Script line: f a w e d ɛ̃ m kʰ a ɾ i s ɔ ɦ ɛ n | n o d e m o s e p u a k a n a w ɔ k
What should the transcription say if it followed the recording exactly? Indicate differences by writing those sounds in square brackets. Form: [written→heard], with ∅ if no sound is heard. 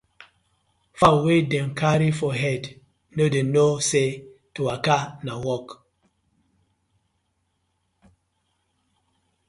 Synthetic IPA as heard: f a w e d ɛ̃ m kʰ a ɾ i [s→f] ɔ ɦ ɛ [n→d] | n o d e [m→n] o s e [p→t] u a k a n a w ɔ k